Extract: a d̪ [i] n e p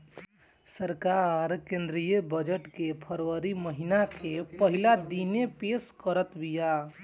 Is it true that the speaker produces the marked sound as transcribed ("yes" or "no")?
yes